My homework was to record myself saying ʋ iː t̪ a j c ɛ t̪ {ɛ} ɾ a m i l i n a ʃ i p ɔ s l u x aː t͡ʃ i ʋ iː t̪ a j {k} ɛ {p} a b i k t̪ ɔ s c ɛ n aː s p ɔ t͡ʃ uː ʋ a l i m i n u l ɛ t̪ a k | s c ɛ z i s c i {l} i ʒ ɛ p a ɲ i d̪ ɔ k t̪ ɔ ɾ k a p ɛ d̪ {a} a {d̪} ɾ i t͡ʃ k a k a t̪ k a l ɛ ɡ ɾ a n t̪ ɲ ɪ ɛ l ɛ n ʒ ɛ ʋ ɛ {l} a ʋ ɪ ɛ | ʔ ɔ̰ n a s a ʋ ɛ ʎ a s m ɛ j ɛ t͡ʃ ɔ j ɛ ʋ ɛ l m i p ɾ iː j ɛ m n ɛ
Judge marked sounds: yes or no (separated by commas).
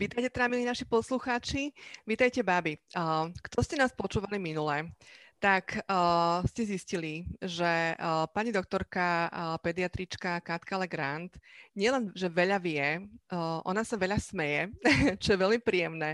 yes, no, no, yes, no, no, no